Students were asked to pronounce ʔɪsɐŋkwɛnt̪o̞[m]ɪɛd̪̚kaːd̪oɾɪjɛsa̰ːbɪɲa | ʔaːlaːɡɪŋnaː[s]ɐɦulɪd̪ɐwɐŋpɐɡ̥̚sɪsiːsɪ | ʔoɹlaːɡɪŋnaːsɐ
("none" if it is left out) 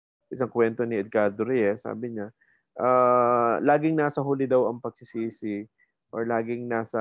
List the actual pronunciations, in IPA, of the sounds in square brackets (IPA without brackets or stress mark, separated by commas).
n, s